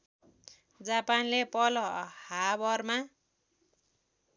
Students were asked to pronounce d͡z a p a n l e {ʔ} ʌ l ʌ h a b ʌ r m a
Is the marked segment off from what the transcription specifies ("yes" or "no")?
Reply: yes